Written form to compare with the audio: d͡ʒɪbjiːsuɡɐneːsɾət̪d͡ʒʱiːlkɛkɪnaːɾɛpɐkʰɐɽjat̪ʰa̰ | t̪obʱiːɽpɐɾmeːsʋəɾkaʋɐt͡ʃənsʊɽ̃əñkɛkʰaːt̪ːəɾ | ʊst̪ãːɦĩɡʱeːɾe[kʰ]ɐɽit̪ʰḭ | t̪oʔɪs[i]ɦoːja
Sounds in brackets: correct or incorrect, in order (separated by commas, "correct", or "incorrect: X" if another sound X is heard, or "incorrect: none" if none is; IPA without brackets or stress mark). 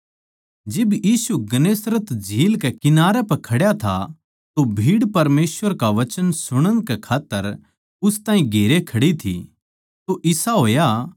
correct, incorrect: a